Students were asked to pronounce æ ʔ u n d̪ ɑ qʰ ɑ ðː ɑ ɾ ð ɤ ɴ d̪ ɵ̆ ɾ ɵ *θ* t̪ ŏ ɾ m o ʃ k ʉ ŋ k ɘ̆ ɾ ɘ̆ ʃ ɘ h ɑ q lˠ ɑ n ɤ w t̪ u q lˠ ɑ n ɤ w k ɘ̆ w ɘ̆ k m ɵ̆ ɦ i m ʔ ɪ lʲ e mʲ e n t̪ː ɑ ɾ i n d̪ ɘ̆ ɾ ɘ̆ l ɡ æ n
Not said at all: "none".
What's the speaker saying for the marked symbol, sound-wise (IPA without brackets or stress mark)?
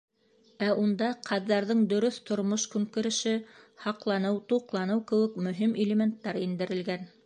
θ